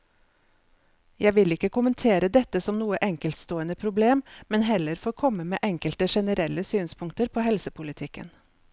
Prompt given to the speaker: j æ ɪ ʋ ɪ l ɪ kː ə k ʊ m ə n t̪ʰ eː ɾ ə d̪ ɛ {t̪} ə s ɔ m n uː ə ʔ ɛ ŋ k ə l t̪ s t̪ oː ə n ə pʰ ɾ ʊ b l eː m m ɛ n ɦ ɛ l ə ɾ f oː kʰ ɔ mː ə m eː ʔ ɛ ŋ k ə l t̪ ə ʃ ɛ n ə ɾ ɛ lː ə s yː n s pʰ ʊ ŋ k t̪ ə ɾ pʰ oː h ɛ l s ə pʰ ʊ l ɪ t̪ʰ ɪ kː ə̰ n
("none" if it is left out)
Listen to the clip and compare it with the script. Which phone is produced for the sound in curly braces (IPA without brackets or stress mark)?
t̪